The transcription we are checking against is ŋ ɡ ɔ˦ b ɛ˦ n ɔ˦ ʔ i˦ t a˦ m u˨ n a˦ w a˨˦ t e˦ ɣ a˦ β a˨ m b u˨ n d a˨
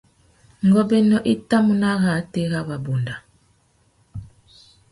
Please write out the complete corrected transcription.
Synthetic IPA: ŋ ɡ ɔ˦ b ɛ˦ n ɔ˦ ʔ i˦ t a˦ m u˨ n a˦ ɣ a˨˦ t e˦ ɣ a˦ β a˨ b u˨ n d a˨